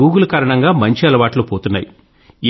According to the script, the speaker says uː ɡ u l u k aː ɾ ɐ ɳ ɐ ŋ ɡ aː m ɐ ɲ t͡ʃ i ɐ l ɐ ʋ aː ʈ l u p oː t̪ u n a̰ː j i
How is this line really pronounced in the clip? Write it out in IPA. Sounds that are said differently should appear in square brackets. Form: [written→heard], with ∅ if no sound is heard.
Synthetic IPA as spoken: uː ɡ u l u k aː ɾ ɐ ɳ ɐ ŋ ɡ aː m ɐ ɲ t͡ʃ i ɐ l ɐ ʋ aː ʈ l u p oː t̪ u [n→nː] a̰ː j i